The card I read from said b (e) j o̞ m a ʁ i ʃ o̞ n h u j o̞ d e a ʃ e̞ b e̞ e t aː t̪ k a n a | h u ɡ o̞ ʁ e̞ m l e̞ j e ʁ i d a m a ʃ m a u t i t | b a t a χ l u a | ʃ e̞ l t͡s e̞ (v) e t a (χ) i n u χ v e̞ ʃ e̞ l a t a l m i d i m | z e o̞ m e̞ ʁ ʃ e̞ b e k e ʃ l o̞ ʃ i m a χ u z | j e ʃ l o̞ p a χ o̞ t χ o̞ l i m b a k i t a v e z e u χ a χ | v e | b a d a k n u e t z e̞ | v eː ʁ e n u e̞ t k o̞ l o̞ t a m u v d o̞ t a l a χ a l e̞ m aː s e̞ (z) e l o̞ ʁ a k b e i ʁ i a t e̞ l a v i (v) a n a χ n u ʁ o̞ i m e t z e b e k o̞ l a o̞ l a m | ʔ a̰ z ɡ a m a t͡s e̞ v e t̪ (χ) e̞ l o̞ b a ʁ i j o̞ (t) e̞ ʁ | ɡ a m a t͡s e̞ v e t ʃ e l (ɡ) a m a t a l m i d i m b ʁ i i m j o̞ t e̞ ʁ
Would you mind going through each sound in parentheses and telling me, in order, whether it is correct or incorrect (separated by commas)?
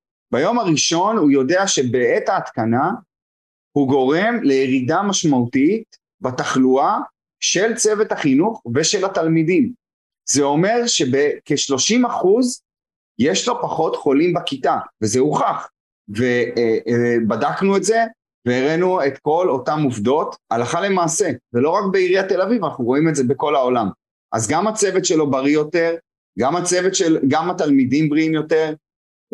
incorrect, correct, correct, incorrect, correct, incorrect, correct, correct